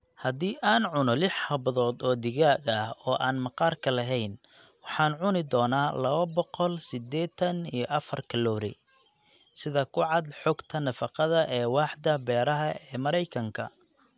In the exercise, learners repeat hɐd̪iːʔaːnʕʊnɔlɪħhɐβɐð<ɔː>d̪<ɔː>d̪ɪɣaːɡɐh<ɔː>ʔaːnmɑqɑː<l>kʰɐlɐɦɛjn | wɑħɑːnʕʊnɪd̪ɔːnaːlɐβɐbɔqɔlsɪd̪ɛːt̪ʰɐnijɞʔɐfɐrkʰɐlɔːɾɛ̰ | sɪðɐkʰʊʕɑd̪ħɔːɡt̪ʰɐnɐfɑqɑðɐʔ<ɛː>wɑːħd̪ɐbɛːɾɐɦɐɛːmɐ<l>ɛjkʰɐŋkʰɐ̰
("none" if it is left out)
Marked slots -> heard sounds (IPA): ɔː, ɔː, ɔː, r, ɛː, ɾ

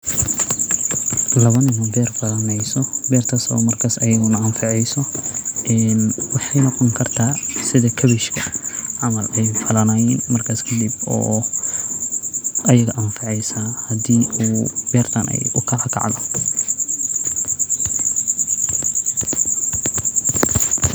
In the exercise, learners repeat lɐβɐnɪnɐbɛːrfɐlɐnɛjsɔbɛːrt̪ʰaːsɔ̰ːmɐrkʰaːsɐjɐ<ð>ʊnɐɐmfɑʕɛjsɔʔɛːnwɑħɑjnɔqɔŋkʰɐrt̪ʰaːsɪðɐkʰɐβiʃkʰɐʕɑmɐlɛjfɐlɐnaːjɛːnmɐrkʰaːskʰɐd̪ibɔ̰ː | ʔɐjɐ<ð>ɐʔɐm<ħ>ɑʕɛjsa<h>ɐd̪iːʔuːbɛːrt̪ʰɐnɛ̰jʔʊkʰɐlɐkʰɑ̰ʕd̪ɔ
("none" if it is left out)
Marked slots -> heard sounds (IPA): ɣ, ɣ, f, h

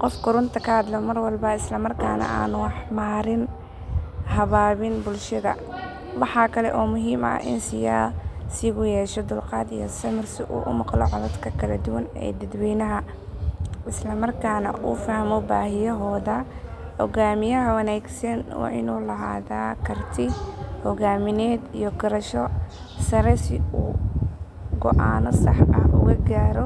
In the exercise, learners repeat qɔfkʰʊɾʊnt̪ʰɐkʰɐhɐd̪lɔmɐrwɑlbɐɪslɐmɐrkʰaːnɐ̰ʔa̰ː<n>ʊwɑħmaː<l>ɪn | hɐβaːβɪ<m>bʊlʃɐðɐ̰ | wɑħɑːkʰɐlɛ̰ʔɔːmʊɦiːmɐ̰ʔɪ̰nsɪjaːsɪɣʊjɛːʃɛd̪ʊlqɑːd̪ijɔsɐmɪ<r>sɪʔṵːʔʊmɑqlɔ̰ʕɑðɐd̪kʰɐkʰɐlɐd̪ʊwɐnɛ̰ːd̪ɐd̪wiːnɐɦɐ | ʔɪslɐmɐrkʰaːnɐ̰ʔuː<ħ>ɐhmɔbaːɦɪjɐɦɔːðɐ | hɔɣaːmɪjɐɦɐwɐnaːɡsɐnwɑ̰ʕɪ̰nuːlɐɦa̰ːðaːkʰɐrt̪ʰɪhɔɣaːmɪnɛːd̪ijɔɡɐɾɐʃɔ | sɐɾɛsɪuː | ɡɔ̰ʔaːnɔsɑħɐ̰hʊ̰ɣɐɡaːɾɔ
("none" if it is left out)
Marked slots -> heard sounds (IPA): n, ɾ, n, r, f

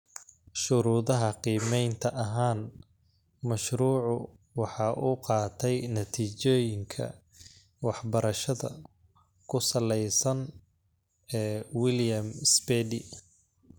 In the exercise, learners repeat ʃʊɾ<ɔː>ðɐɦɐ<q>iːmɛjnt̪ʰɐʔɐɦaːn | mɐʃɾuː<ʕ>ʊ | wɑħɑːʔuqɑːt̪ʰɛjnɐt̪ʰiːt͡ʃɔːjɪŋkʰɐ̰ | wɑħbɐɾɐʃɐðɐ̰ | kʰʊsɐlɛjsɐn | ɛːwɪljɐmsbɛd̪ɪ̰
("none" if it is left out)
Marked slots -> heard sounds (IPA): uː, q, ʕ

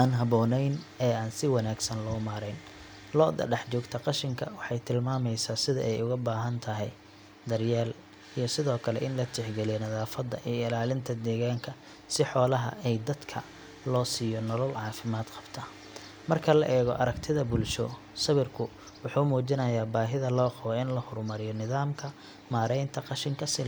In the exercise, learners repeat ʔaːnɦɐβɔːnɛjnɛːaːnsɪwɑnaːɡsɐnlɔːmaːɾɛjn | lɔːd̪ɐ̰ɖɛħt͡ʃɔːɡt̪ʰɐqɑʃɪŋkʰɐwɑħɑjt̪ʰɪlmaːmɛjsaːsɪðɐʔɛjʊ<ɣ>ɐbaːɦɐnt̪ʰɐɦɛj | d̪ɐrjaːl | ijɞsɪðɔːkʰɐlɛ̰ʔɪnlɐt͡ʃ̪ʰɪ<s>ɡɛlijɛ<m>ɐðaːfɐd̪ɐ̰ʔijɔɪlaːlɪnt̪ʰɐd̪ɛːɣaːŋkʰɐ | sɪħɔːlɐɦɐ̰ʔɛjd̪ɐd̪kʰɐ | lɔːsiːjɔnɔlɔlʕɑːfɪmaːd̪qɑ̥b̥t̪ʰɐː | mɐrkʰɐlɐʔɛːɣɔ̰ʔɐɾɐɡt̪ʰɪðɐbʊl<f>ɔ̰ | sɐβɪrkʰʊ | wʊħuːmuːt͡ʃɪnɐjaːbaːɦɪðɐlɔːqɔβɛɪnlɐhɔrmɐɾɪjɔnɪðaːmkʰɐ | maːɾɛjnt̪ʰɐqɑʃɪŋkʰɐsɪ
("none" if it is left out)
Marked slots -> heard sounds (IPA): ɣ, ħ, n, ʃ

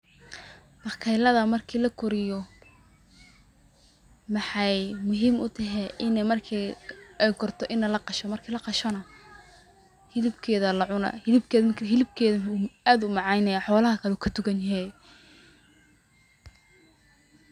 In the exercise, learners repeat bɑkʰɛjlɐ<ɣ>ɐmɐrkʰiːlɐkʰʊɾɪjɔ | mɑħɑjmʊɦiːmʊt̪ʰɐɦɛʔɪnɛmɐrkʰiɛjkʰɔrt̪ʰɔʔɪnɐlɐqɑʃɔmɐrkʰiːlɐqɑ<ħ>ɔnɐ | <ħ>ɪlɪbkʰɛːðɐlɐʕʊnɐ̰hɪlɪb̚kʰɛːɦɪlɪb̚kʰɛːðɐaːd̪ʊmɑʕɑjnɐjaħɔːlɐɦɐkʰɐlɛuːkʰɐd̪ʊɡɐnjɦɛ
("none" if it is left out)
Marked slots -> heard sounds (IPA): ð, ʃ, h

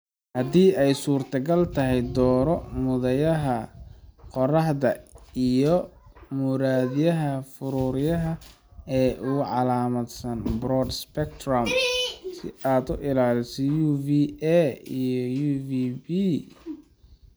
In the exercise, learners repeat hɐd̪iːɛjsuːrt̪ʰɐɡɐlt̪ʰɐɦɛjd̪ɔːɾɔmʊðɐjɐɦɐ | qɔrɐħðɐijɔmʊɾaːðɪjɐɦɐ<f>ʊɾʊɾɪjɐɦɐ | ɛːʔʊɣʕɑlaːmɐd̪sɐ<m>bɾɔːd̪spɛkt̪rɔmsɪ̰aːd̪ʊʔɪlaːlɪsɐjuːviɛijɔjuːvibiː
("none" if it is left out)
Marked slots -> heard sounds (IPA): f, n

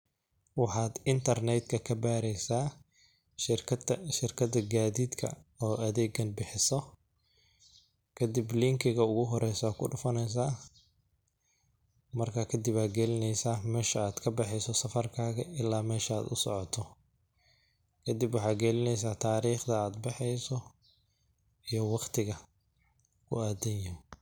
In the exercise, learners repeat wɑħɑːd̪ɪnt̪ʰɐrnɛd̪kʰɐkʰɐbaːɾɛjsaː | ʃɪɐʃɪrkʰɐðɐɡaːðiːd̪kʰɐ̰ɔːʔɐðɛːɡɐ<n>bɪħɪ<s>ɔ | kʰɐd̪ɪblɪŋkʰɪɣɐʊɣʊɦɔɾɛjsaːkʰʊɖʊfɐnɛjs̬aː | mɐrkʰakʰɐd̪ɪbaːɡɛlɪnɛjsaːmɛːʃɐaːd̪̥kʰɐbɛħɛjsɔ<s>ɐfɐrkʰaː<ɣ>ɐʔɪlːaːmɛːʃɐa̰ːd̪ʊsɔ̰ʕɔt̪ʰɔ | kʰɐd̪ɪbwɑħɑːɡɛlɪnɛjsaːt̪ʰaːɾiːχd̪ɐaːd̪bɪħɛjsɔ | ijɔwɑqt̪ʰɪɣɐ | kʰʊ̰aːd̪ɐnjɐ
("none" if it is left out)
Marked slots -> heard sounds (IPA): n, s, s, ɣ

